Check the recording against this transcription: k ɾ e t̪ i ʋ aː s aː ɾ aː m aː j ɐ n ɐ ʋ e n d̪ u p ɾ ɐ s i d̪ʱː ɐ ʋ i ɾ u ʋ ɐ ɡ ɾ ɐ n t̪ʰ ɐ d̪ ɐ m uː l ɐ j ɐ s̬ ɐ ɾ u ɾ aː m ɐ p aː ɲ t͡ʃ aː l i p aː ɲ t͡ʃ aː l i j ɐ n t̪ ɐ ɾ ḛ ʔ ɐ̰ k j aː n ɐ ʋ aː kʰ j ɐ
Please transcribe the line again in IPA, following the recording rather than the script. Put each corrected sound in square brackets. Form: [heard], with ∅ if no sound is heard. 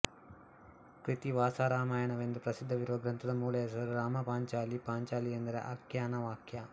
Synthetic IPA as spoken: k ɾ [i] t̪ i ʋ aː s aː ɾ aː m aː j ɐ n ɐ ʋ e n d̪ u p ɾ ɐ s i d̪ʱː ɐ ʋ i ɾ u ʋ ɐ ɡ ɾ ɐ n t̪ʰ ɐ d̪ ɐ m uː l ɐ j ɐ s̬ ɐ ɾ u ɾ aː m ɐ p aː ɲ t͡ʃ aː l i p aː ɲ t͡ʃ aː l i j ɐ n [d̪] ɐ ɾ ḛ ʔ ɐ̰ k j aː n ɐ ʋ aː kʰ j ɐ